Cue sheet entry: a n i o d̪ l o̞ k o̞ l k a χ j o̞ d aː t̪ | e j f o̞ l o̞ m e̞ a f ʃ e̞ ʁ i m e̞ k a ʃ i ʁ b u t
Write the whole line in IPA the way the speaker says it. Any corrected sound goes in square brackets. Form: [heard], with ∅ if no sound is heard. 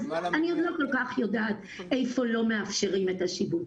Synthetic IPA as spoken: a n i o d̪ l o̞ k o̞ l k a χ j o̞ d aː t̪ | e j f o̞ l o̞ m e̞ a f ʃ e̞ ʁ i m e̞ [t] a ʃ i [∅] b u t